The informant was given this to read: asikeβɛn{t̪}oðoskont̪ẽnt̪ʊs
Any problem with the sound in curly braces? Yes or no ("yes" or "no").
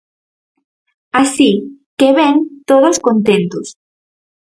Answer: no